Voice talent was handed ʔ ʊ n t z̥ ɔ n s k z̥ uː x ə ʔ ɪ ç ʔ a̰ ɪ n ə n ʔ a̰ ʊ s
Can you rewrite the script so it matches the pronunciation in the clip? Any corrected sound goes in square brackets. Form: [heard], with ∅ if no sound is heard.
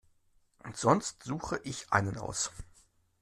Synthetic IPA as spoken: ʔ ʊ n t z̥ ɔ n s [t] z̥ uː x ə ʔ ɪ ç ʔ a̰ ɪ n ə n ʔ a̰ ʊ s